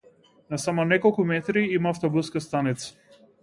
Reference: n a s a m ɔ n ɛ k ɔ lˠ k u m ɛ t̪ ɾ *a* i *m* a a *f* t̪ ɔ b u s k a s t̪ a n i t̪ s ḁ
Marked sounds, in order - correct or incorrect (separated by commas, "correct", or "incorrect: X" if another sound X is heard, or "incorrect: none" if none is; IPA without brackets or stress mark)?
incorrect: i, correct, correct